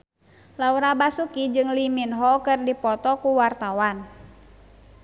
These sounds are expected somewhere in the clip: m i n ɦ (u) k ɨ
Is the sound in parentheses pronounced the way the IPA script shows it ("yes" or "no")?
no